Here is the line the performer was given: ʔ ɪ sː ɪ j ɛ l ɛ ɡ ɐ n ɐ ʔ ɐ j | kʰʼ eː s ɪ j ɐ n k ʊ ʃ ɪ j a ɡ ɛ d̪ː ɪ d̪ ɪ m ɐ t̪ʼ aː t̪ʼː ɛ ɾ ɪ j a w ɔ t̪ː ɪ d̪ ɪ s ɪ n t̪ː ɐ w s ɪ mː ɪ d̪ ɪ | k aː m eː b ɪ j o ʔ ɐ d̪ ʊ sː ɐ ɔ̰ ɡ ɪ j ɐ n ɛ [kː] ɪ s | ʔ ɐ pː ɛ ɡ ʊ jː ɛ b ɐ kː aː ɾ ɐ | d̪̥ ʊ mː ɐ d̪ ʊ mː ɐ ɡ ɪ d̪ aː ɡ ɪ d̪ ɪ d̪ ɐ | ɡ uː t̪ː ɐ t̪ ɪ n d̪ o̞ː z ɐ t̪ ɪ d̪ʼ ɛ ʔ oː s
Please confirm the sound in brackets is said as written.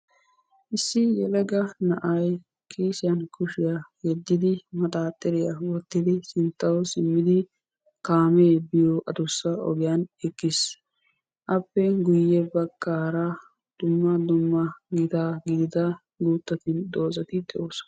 yes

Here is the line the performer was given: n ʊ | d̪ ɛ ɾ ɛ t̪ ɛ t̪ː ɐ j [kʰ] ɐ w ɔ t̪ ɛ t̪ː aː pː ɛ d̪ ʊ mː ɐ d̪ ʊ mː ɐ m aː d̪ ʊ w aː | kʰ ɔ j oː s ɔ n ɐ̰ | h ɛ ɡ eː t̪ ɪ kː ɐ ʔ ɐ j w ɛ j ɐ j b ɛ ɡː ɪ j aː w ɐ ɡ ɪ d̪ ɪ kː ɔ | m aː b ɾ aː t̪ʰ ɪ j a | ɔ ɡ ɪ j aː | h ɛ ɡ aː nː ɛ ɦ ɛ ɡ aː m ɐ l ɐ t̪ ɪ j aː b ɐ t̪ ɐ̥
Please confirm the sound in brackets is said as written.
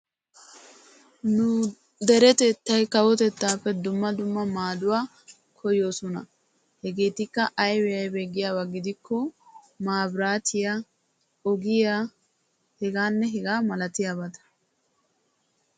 no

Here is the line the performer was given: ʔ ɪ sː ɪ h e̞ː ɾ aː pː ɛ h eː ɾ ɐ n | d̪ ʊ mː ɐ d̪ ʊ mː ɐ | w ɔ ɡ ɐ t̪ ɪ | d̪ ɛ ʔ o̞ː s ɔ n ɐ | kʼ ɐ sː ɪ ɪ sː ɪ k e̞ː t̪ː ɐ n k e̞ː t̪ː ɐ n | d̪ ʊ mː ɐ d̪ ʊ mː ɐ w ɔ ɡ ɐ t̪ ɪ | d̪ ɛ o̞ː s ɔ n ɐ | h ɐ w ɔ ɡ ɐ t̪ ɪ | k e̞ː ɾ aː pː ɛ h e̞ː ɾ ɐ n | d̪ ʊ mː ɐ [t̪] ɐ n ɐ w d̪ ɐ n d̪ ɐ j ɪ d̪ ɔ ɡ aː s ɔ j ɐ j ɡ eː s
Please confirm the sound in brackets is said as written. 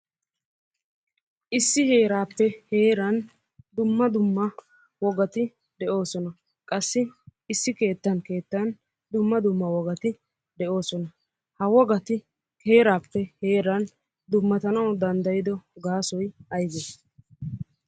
yes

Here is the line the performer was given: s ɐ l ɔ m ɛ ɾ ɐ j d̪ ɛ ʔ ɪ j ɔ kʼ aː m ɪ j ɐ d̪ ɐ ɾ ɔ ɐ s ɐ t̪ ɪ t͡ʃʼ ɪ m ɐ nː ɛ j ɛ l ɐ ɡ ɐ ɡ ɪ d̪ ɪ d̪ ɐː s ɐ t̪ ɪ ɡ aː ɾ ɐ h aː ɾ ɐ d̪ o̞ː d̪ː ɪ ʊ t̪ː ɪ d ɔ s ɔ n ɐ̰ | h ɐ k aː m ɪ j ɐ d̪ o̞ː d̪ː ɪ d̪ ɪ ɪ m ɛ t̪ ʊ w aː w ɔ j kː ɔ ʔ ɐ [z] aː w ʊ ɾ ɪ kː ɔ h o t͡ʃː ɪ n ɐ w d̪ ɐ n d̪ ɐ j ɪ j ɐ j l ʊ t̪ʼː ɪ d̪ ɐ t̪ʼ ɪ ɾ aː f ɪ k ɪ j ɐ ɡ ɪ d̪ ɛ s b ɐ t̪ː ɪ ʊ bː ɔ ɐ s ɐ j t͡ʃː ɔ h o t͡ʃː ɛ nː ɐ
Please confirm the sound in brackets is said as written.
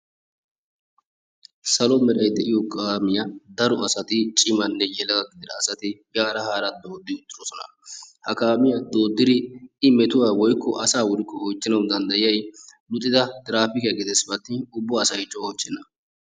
no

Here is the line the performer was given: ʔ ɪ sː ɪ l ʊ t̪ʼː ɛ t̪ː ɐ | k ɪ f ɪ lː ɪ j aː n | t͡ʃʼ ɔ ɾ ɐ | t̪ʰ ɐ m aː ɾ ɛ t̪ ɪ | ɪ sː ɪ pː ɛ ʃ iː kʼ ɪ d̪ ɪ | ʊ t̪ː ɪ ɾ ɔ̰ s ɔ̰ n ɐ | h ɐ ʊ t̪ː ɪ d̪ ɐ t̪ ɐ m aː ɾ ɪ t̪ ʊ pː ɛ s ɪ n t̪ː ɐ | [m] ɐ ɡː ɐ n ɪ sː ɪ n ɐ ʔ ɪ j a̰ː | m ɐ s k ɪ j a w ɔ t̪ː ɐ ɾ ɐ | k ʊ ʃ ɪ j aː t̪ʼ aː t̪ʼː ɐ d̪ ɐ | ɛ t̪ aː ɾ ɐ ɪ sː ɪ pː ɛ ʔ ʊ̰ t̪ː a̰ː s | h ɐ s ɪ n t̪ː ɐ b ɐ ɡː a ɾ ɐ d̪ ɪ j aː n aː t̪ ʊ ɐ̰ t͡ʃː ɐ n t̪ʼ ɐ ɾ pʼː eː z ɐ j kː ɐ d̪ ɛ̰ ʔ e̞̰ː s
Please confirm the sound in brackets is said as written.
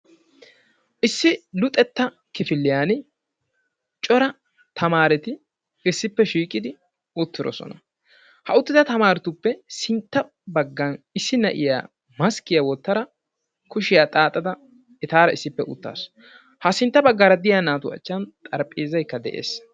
no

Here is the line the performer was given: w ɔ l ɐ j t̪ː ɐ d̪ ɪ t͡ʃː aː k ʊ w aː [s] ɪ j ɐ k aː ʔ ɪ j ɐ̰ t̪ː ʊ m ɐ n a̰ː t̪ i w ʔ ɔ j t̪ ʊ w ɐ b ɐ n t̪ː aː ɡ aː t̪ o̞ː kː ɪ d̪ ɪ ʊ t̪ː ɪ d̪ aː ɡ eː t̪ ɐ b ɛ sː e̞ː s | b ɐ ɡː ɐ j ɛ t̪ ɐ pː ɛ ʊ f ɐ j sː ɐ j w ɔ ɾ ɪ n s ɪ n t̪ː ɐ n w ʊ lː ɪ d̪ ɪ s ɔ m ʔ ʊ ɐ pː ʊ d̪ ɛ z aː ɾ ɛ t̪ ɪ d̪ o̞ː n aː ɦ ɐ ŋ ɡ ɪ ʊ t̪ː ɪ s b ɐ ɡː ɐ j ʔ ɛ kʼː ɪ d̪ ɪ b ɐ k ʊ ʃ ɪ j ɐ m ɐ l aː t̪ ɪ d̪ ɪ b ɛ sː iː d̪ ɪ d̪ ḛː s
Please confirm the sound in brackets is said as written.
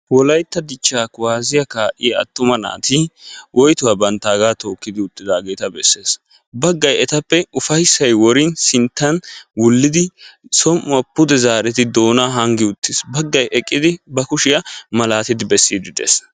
no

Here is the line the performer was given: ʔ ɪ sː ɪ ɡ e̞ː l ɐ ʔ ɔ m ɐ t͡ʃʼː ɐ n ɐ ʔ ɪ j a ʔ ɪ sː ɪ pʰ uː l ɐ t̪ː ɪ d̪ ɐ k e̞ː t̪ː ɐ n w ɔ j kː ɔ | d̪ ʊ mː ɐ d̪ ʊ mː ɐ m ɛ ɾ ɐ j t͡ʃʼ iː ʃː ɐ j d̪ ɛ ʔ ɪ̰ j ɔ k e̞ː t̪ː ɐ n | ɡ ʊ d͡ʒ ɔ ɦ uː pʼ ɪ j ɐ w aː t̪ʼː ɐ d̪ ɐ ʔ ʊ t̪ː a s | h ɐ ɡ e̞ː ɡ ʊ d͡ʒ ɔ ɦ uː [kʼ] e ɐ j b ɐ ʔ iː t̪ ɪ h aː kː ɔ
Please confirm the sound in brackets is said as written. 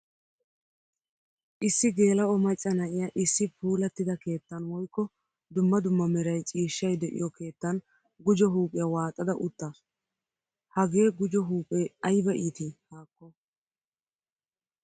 no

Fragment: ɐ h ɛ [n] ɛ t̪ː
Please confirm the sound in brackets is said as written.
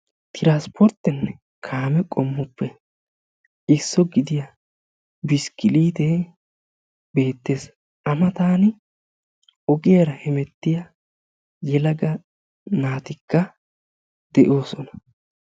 no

